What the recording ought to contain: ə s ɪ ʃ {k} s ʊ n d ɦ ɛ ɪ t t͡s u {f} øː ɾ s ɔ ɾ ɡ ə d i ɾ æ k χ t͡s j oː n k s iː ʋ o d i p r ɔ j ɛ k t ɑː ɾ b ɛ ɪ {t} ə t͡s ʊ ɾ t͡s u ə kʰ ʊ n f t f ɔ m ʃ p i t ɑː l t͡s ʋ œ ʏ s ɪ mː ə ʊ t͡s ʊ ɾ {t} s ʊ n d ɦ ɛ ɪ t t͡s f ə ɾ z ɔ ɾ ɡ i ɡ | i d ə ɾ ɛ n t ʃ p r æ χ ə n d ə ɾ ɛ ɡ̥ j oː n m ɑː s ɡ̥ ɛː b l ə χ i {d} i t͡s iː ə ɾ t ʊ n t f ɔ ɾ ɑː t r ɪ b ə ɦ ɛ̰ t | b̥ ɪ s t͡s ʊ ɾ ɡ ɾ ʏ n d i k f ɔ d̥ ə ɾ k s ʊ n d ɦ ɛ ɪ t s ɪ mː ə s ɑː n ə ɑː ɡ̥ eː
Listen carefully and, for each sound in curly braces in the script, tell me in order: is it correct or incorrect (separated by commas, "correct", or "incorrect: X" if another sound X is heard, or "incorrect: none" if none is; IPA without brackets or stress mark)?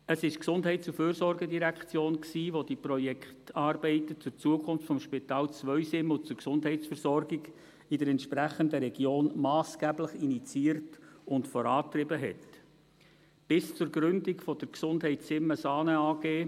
correct, correct, correct, incorrect: k, incorrect: n